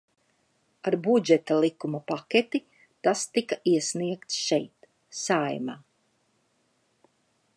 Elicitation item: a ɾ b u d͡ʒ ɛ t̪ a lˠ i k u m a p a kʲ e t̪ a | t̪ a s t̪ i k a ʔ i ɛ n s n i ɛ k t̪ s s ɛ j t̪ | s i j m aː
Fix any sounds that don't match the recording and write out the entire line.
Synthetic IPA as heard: a ɾ b u d͡ʒ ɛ t̪ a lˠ i k u m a p a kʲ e t̪ i | t̪ a s t̪ i k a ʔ i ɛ s n i ɛ k t̪ s ʃ ɛ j t̪ | s a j m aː